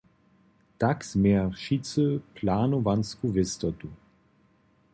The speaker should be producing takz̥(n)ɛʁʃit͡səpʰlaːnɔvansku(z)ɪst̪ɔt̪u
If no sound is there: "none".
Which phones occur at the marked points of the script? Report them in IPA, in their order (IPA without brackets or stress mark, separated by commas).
m, v